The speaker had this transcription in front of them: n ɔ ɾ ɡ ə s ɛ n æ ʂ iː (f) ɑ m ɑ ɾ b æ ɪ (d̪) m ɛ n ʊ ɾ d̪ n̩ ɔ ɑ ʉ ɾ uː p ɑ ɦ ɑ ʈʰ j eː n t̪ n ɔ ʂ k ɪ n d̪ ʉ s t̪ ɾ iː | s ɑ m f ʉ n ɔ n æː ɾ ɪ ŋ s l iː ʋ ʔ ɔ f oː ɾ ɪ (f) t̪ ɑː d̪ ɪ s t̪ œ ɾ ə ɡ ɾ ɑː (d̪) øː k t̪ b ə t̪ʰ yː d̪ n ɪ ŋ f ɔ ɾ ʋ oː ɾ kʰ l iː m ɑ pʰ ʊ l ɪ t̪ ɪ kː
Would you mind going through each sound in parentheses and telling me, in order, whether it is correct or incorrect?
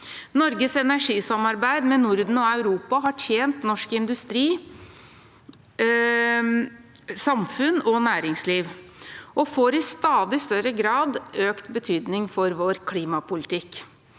incorrect: s, correct, incorrect: s, correct

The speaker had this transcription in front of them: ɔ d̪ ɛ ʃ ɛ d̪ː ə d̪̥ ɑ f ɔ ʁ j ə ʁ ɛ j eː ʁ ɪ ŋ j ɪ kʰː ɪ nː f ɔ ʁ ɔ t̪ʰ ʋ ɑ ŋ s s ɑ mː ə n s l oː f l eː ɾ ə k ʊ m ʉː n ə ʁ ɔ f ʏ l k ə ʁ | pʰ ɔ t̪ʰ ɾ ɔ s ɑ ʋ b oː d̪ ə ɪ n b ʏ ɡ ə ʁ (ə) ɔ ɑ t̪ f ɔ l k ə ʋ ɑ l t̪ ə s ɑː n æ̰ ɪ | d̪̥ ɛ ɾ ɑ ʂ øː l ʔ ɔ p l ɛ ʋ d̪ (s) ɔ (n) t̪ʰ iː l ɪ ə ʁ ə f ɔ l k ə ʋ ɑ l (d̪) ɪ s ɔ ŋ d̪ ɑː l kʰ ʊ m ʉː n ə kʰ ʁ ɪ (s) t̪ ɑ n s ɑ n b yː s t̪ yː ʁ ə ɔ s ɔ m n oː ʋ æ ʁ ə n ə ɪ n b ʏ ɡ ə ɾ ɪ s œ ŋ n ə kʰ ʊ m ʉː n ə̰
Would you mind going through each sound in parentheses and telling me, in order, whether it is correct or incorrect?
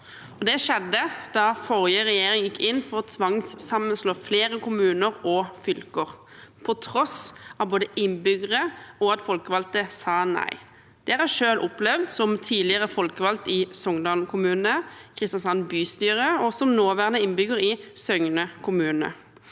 correct, correct, incorrect: m, incorrect: t̪, correct

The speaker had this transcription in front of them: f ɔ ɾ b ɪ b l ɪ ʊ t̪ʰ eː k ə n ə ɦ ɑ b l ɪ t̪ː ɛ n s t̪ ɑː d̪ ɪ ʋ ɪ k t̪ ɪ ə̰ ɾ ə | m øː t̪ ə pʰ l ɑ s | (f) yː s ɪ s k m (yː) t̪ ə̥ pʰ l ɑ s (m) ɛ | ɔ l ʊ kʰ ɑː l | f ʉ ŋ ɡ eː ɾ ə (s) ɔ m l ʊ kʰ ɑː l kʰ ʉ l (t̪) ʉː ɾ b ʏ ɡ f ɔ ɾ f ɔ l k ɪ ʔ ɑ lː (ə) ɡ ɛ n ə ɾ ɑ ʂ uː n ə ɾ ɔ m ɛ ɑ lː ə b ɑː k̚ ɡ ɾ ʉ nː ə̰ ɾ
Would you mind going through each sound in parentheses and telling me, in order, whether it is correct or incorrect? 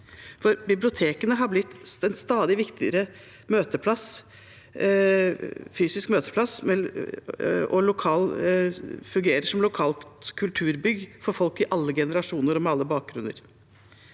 correct, incorrect: øː, correct, incorrect: ʂ, incorrect: t̪ʰ, correct

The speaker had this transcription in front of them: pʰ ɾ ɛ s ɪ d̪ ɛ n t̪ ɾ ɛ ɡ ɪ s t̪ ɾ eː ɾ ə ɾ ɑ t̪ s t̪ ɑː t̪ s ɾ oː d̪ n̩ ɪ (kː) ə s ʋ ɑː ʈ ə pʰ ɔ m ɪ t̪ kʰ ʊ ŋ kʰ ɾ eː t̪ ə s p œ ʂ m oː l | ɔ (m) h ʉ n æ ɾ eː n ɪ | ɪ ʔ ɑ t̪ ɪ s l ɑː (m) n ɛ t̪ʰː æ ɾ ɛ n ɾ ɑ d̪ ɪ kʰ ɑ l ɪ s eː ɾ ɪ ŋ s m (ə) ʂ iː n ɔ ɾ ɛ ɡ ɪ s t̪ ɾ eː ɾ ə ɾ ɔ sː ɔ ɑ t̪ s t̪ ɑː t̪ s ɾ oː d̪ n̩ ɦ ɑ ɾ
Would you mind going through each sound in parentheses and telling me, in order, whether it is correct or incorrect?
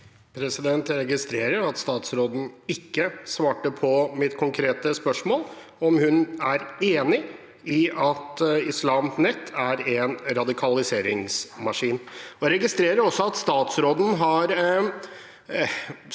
correct, correct, correct, incorrect: ɑ

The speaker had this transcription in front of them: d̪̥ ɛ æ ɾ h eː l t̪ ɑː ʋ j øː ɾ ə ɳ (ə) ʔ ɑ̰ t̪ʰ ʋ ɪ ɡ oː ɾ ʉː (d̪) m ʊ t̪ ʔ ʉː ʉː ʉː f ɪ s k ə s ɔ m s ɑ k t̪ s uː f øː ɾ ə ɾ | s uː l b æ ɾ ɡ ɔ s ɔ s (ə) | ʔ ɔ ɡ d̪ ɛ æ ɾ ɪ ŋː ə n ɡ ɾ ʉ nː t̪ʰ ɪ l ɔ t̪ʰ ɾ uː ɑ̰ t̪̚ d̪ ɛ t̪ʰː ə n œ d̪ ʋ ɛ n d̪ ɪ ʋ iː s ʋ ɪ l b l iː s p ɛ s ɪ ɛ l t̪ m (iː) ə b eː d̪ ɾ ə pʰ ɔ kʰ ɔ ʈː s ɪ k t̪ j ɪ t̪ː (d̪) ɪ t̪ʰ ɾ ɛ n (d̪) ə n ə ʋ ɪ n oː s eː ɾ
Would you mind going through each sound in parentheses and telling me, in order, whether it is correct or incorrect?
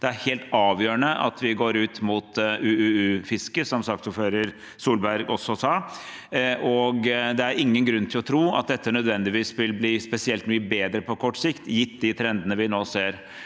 correct, incorrect: t̪, incorrect: ɑ, incorrect: yː, correct, correct

